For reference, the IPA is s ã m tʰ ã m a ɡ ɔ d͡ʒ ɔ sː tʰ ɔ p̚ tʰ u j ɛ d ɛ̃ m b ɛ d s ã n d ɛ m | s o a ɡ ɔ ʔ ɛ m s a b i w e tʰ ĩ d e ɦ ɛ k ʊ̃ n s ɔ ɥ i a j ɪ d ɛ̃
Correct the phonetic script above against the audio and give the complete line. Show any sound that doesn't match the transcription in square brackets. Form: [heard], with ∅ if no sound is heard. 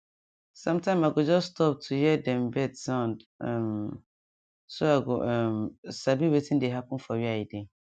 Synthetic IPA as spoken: s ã m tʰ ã m a ɡ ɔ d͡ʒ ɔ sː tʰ ɔ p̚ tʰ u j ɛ d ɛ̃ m b ɛ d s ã n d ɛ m | s o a ɡ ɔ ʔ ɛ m s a b i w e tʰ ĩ d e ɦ [a] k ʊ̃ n [f] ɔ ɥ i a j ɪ d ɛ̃